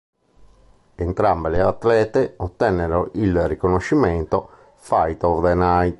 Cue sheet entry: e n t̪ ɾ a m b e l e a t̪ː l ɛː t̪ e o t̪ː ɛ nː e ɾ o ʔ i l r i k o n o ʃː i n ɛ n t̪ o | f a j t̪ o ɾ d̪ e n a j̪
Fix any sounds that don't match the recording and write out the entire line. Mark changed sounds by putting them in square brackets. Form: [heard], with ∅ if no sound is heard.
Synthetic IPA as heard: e n t̪ ɾ a m b e l e a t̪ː l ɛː t̪ e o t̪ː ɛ nː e ɾ o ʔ i l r i k o n o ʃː i [m] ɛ n t̪ o | f a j t̪ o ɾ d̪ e n a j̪